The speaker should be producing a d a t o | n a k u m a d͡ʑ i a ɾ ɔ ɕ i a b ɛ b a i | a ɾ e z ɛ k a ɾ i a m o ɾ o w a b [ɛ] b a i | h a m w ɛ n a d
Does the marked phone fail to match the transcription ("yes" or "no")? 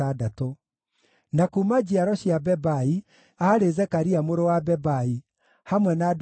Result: no